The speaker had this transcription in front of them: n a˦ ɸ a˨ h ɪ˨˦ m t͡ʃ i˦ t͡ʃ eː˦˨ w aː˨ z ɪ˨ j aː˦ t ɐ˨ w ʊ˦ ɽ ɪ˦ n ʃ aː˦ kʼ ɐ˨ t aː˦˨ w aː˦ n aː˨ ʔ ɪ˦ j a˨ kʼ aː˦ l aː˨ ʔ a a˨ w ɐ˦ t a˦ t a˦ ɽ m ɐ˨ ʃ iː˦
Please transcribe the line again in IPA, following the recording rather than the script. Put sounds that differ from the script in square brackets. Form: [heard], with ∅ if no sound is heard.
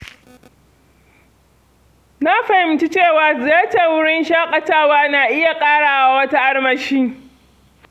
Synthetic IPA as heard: n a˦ ɸ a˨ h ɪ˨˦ m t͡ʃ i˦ t͡ʃ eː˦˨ w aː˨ z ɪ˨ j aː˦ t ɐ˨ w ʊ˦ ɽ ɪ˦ n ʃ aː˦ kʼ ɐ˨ t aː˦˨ w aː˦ n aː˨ ʔ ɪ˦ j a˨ kʼ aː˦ [ɽ] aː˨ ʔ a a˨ w ɐ˦ t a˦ [ʔ] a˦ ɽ m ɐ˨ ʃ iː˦

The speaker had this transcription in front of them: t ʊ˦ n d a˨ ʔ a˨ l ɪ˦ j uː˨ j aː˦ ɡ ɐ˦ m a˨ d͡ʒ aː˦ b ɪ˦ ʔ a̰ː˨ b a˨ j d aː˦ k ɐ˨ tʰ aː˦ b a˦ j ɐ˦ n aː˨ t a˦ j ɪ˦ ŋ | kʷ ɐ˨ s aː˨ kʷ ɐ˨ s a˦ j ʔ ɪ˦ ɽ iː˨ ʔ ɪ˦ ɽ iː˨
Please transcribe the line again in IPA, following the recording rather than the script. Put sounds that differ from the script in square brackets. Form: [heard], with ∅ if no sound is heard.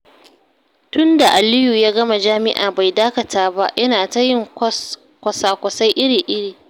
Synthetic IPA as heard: t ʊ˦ n d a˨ ʔ a˨ l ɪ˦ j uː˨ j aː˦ ɡ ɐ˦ m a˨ d͡ʒ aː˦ [m] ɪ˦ ʔ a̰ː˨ b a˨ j d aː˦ k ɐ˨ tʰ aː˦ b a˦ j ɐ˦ n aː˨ t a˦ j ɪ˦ ŋ | kʷ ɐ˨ s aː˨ kʷ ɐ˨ s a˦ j ʔ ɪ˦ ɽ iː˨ ʔ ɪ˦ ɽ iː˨

